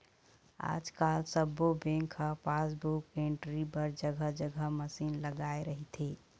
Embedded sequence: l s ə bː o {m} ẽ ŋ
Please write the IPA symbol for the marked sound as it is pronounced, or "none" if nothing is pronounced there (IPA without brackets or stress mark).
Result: b